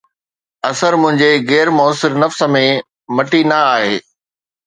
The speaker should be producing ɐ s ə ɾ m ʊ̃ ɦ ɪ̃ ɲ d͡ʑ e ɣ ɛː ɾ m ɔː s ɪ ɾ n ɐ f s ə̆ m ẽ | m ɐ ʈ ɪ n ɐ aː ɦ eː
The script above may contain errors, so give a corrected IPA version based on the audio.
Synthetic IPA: ɐ s ə ɾ m ʊ̃ ɦ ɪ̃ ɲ d͡ʑ e ɣ ɛː ɾ m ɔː s ɪ ɾ n ɐ f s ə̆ m ẽ | m ɐ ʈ i n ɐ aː ɦ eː